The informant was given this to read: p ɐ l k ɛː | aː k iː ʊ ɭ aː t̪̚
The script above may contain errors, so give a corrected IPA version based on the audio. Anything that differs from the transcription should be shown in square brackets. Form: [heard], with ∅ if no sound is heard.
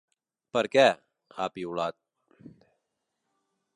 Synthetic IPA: p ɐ [ɾ] k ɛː | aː [p] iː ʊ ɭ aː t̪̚